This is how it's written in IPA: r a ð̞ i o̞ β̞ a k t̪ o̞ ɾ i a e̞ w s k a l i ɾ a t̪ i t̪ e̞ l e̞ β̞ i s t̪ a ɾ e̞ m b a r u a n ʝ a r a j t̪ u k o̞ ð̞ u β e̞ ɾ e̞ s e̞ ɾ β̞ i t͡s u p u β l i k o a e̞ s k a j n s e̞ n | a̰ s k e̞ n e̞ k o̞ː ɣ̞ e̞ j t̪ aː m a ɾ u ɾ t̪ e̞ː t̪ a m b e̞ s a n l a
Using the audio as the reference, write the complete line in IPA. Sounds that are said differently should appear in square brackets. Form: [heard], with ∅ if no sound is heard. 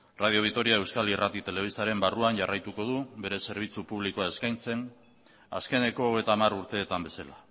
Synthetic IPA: r a ð̞ i o̞ β̞ [i] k t̪ o̞ ɾ i a e̞ w s k a l i [r] a t̪ i t̪ e̞ l e̞ β̞ i s t̪ a ɾ e̞ m b a r u a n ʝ a r a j t̪ u k o̞ ð̞ u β e̞ ɾ e̞ s e̞ ɾ β̞ i t͡s u p u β l i k o a e̞ s k a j n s e̞ n | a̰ s k e̞ n e̞ k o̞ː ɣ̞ e̞ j t̪ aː m a ɾ u ɾ t̪ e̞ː t̪ a m b e̞ s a [∅] l a

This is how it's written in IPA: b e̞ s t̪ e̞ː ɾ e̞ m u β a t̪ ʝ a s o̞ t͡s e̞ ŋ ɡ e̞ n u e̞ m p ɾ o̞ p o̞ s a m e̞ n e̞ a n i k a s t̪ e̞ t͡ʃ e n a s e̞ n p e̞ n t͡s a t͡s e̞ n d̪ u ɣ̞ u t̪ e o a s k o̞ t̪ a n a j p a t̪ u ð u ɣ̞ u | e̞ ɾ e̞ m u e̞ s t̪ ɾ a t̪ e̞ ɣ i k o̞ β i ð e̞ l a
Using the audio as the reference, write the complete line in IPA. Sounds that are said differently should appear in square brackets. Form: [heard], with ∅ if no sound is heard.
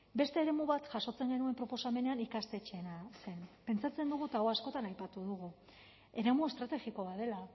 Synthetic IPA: b e̞ s t̪ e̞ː ɾ e̞ m u β a t̪ ʝ a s o̞ t͡s e̞ ŋ ɡ e̞ n u e̞ m p ɾ o̞ p o̞ s a m e̞ n e̞ a n i k a s t̪ e̞ t͡ʃ e n a s e̞ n p e̞ n t͡s a t͡s e̞ n d̪ u ɣ̞ u t̪ [a] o a s k o̞ t̪ a n a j p a t̪ u ð u ɣ̞ u | e̞ ɾ e̞ m u e̞ s t̪ ɾ a t̪ e̞ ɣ i k o̞ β [a] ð e̞ l a

